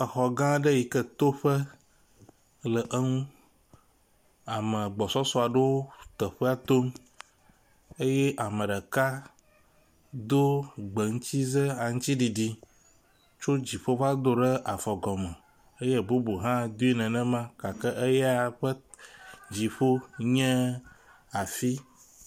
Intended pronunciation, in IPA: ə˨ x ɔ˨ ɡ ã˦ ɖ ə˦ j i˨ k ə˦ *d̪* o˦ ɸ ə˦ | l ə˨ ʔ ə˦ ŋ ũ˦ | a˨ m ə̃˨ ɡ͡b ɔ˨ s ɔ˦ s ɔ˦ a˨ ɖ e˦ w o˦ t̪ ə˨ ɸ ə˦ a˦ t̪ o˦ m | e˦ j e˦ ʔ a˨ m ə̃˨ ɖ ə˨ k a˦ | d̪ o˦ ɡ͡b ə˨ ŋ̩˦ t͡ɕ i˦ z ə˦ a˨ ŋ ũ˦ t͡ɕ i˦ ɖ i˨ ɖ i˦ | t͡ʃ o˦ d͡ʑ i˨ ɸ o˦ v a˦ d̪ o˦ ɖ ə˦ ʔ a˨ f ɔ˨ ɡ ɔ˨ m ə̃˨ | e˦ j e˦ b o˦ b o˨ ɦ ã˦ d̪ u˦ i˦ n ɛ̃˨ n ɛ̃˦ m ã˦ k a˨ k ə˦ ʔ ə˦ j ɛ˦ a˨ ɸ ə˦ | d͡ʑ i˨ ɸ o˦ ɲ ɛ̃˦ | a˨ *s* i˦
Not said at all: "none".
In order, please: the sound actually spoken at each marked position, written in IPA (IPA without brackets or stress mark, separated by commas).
t̪, f